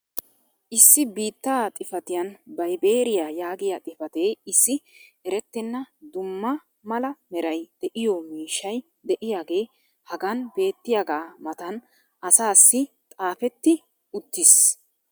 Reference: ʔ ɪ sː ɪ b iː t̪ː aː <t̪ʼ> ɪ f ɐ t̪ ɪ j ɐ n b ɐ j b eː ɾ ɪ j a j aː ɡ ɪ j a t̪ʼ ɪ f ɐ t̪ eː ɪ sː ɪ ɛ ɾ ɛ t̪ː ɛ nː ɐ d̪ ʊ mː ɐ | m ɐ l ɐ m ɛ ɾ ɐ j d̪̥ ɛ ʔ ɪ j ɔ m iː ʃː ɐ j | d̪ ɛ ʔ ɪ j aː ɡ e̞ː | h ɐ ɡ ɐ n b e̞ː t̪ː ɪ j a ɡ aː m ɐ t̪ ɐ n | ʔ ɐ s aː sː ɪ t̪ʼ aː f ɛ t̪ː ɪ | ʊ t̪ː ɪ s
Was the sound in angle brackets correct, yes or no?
yes